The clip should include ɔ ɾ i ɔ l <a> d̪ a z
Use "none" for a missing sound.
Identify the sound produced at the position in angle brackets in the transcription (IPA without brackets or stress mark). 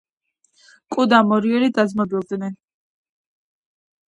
i